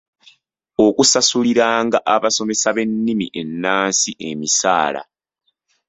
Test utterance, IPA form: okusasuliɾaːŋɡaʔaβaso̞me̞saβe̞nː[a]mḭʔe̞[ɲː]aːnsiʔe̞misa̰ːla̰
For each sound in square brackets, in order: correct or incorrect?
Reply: incorrect: i, incorrect: nː

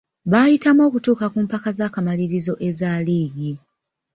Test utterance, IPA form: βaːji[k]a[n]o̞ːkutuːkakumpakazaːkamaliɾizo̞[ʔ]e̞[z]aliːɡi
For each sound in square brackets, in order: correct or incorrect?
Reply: incorrect: t, incorrect: m, correct, correct

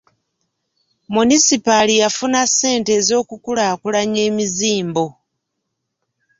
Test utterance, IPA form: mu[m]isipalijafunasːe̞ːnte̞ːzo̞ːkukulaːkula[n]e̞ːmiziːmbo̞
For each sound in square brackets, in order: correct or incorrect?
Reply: incorrect: n, incorrect: ɲ

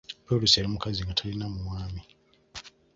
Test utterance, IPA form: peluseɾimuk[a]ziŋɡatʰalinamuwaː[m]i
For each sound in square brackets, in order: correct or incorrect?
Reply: correct, correct

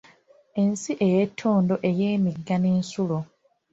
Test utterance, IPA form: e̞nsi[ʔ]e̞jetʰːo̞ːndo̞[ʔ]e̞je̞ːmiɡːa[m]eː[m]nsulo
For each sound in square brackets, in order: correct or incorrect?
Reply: correct, correct, incorrect: n, incorrect: none

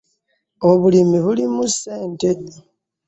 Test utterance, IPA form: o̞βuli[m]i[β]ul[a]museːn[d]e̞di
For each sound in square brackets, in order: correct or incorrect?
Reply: correct, correct, incorrect: i, incorrect: t

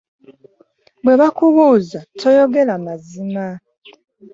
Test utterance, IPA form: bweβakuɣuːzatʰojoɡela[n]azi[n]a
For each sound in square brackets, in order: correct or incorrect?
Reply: incorrect: m, incorrect: m

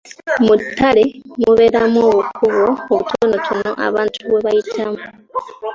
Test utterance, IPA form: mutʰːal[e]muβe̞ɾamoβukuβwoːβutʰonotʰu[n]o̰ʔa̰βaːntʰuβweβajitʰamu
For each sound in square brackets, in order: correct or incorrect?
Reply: correct, correct

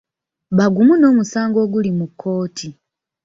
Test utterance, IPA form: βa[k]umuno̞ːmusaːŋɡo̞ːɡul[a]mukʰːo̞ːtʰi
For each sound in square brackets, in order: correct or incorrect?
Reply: incorrect: ɡ, incorrect: i

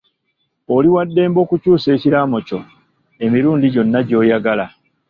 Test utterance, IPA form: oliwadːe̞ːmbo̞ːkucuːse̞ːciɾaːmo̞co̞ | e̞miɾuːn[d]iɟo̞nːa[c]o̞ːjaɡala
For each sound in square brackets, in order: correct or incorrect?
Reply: correct, incorrect: ɟ

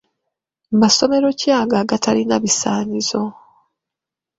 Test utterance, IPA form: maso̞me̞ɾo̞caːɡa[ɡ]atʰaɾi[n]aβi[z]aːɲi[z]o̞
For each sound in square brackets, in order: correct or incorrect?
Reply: correct, correct, incorrect: s, correct

